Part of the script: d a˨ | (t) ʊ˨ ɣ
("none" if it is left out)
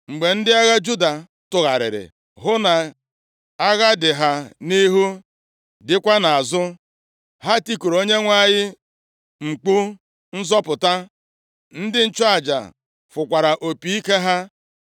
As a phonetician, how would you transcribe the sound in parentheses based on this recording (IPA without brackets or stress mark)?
t